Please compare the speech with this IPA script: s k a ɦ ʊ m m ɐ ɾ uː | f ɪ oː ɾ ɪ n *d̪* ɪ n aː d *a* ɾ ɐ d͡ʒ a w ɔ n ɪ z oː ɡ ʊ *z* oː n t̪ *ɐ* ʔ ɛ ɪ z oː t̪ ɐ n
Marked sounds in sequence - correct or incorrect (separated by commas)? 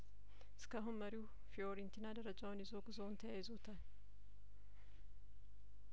incorrect, incorrect, correct, correct